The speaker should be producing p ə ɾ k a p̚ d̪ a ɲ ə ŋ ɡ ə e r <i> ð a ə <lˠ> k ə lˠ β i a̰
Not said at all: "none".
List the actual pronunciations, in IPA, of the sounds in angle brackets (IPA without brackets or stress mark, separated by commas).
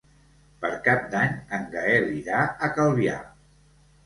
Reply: i, none